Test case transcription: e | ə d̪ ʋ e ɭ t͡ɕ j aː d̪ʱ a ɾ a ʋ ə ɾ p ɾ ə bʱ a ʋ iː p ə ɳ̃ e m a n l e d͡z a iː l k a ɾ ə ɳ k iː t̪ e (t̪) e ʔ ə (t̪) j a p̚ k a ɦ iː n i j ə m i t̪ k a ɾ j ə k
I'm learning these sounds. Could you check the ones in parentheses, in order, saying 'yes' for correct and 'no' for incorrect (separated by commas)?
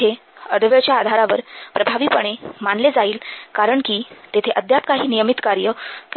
no, no